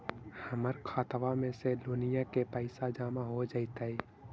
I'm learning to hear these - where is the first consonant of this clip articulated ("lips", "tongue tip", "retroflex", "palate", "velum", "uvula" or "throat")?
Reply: throat